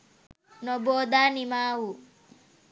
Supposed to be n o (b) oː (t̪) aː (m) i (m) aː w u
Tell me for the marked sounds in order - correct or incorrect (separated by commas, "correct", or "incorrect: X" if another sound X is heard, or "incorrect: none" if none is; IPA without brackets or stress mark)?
correct, incorrect: d̪, incorrect: n, correct